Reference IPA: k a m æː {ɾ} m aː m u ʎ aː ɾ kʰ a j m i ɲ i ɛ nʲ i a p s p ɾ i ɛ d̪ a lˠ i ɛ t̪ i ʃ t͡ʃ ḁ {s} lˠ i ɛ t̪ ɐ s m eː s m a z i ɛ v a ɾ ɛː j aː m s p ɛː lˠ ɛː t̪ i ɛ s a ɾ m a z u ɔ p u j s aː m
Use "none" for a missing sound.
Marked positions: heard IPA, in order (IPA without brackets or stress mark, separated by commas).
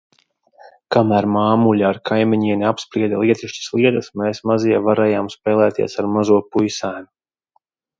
ɾ, s